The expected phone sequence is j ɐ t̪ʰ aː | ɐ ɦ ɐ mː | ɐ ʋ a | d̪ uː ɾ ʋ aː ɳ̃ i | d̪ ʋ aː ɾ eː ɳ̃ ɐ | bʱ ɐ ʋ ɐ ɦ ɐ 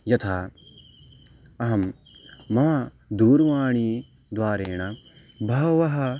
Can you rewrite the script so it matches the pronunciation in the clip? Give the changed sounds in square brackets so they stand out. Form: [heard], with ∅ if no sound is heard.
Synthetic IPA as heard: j ɐ t̪ʰ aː | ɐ ɦ ɐ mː | ɐ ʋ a | d̪ uː ɾ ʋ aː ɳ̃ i | d̪ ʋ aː ɾ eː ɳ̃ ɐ | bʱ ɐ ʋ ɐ ɦ ɐ

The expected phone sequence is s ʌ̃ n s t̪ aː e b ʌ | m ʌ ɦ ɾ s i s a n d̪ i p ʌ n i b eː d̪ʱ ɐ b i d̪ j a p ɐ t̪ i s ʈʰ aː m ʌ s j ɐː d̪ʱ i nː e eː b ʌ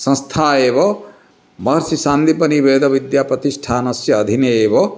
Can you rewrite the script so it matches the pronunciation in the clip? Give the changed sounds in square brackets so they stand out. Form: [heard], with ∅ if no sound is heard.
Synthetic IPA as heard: s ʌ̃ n s [t̪ʰ] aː e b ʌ | m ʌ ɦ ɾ s i s a n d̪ i p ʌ n i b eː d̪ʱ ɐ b i d̪ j a p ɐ t̪ i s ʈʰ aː [n] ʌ s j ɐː d̪ʱ i [n] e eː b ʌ

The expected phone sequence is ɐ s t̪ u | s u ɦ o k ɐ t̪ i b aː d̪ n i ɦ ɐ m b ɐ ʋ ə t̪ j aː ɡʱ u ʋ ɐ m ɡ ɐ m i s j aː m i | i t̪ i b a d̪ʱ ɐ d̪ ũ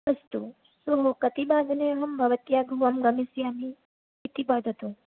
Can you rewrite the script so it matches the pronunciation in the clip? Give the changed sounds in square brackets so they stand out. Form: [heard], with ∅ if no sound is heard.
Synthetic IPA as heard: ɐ s t̪ u | s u ɦ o k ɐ t̪ i b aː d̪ n [e] ɦ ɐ m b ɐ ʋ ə t̪ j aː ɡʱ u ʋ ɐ m ɡ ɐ m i s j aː m i | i t̪ i b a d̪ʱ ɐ [t̪] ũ

